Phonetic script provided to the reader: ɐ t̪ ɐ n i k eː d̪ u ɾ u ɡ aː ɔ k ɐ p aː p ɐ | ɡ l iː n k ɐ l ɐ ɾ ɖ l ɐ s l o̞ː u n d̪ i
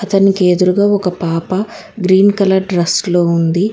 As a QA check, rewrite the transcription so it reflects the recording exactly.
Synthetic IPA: ɐ t̪ ɐ n i k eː d̪ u ɾ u ɡ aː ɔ k ɐ p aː p ɐ | ɡ ɾ iː n k ɐ l ɐ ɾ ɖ ɾ ɐ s l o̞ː u n d̪ i